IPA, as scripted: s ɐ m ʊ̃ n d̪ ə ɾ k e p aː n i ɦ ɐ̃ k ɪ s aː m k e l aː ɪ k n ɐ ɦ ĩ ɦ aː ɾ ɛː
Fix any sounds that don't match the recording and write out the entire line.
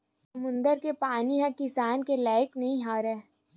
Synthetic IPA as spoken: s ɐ m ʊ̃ n d̪ ə ɾ k e p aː n i ɦ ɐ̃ k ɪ s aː n k e l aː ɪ k n ɐ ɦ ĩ ɦ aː ɾ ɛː